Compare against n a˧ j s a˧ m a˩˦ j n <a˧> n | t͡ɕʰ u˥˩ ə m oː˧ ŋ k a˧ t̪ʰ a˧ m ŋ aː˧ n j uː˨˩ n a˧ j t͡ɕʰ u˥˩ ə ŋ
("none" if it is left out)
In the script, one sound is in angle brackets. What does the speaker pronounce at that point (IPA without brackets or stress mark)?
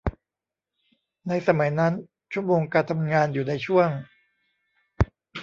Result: a˦˥